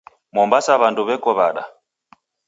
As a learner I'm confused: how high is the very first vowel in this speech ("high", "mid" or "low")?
mid